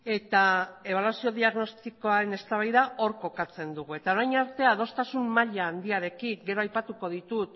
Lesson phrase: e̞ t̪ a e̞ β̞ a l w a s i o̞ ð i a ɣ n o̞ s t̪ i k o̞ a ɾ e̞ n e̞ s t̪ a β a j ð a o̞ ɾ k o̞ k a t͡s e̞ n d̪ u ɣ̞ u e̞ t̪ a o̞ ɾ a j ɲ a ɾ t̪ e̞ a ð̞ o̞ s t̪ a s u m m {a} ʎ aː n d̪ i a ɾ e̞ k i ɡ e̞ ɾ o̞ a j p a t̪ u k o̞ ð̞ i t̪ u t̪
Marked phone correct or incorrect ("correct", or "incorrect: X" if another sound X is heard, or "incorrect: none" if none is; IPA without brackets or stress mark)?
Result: correct